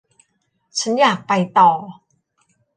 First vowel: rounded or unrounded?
unrounded